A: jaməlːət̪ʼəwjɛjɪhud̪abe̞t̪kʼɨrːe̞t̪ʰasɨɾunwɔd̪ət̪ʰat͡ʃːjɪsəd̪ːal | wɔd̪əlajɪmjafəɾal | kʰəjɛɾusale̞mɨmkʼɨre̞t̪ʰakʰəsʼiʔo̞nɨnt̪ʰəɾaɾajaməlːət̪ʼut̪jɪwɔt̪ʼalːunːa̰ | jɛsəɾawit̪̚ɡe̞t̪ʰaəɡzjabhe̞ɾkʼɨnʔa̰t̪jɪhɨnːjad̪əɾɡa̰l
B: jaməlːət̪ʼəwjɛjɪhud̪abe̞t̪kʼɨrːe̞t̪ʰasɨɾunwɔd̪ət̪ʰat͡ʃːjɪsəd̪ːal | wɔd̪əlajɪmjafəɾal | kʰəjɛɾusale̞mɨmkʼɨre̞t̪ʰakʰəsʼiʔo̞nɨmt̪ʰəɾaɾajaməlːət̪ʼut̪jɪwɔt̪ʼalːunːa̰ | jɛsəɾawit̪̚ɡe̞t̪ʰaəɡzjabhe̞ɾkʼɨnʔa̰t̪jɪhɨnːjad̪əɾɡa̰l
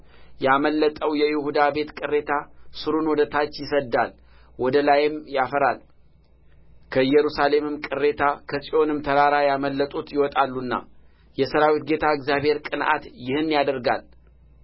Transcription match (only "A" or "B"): B